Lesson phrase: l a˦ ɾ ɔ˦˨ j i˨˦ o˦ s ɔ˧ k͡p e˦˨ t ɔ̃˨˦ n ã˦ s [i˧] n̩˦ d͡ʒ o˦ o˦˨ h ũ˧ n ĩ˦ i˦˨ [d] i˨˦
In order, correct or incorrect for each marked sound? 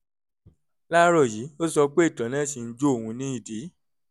correct, correct

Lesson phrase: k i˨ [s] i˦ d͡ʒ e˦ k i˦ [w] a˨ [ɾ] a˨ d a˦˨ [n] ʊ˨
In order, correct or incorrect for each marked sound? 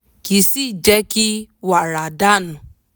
correct, correct, correct, correct

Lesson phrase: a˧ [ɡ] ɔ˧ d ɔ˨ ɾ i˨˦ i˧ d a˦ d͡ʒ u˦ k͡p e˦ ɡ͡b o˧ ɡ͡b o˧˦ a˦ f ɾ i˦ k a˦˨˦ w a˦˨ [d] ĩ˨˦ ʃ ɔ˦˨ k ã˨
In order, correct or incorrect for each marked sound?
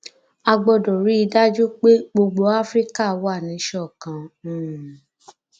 incorrect: ɡ͡b, incorrect: n

